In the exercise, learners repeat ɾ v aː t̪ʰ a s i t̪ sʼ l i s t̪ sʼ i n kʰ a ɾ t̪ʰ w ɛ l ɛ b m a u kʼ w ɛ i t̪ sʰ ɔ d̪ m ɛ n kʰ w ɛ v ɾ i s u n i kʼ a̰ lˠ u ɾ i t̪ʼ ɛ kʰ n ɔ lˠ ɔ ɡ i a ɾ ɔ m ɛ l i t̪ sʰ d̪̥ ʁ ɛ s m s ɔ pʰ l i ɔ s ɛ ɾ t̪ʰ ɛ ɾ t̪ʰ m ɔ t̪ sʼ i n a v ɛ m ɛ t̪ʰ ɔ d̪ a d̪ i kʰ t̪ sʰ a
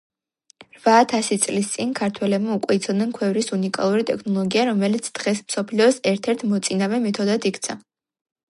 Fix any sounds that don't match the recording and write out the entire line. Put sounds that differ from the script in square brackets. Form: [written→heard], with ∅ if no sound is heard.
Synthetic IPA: ɾ v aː t̪ʰ a s i t̪ sʼ l i s t̪ sʼ i n kʰ a ɾ t̪ʰ w ɛ l ɛ b m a u kʼ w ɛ i t̪ sʰ ɔ d̪ [m→n] ɛ n kʰ w ɛ v ɾ i s u n i kʼ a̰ lˠ u ɾ i t̪ʼ ɛ kʰ n ɔ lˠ ɔ ɡ i a ɾ ɔ m ɛ l i t̪ sʰ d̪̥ ʁ ɛ s m s ɔ pʰ l i ɔ s ɛ ɾ t̪ʰ ɛ ɾ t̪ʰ m ɔ t̪ sʼ i n a v ɛ m ɛ t̪ʰ ɔ d̪ a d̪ i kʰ t̪ sʰ a